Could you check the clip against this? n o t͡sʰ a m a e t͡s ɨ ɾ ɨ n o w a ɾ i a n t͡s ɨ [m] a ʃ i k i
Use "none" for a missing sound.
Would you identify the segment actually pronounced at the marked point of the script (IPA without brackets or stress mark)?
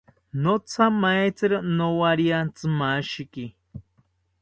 m